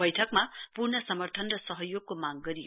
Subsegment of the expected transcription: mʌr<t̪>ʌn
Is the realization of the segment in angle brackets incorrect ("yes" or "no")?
yes